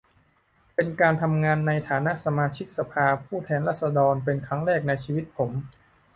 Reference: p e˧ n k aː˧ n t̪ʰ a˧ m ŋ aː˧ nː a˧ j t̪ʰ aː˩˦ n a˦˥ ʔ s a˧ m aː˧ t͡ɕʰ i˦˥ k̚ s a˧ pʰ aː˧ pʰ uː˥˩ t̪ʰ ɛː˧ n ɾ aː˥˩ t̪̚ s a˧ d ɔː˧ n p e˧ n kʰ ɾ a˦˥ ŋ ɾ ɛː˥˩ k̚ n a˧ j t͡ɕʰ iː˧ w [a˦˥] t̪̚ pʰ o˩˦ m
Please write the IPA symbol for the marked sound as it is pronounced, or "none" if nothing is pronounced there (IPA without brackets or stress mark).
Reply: i˦˥